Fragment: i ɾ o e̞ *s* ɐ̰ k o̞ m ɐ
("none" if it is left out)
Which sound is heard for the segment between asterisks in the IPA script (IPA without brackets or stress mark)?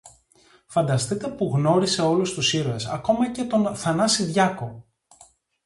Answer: s